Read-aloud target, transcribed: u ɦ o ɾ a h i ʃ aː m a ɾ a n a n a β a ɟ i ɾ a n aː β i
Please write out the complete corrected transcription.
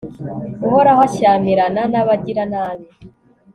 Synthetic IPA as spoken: u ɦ o ɾ a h a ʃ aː m i ɾ a n a n a β a ɟ i ɾ a n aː β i